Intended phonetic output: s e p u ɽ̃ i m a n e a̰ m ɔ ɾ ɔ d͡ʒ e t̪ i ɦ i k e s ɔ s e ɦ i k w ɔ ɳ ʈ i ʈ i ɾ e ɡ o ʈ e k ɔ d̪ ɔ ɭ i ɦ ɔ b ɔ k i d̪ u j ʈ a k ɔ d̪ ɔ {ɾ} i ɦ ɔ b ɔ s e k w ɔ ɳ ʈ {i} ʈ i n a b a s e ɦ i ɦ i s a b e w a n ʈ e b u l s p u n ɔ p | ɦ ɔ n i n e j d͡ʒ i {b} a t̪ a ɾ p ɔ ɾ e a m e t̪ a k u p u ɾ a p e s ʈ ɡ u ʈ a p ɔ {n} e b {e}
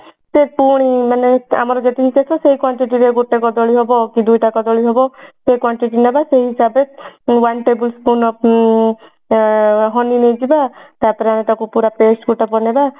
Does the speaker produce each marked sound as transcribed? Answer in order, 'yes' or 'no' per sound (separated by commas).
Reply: no, yes, yes, yes, no